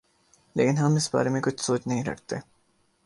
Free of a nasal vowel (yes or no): no